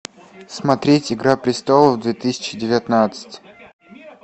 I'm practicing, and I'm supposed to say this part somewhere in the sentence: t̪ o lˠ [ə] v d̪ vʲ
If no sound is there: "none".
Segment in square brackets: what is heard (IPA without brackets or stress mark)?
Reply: ə